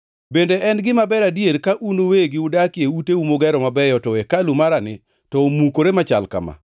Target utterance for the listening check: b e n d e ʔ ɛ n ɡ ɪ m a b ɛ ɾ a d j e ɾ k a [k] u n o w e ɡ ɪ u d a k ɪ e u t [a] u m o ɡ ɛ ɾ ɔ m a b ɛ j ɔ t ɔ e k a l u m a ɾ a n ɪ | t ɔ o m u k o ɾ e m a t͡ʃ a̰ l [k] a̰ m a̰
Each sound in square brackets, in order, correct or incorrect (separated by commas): incorrect, incorrect, correct